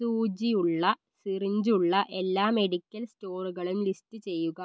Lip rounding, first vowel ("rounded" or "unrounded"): rounded